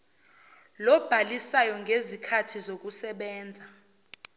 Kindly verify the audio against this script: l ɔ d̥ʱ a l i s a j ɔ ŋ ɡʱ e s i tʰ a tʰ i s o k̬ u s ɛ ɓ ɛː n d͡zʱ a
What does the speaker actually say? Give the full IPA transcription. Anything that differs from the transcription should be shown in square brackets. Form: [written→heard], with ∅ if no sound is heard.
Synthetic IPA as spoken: l ɔ [d̥ʱ→b̥ʱ] a l i s a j ɔ ŋ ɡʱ e [s→z] i [tʰ→kʰ] a tʰ i [s→z] o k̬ u s ɛ ɓ ɛː n d͡zʱ a